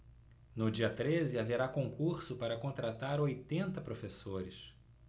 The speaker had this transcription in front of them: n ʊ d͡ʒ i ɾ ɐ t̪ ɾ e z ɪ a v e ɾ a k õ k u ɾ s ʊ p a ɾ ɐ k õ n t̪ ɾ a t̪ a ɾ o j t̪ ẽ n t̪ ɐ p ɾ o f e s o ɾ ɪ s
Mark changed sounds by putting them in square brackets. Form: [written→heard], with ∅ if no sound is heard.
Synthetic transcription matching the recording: n ʊ d͡ʒ i [ɾ→∅] ɐ t̪ ɾ e z ɪ a v e ɾ a k õ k u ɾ s ʊ p a ɾ ɐ k õ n t̪ ɾ a t̪ a ɾ o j t̪ ẽ n t̪ ɐ p ɾ o f e s o ɾ ɪ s